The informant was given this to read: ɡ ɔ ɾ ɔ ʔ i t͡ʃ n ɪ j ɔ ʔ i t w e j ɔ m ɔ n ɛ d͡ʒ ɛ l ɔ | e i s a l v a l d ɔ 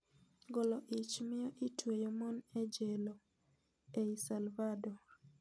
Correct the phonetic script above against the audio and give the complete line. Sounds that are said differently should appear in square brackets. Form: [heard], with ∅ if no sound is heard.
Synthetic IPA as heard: ɡ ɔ [l] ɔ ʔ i t͡ʃ [m] ɪ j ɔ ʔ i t w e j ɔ m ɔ n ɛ d͡ʒ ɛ l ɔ | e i s a l v a [∅] d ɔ